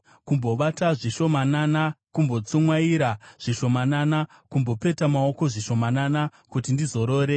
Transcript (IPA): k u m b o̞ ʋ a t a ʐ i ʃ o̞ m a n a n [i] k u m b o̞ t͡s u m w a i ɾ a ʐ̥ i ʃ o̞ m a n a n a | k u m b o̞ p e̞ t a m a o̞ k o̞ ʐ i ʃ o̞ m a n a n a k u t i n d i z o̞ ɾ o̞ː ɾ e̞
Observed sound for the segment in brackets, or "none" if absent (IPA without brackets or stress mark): a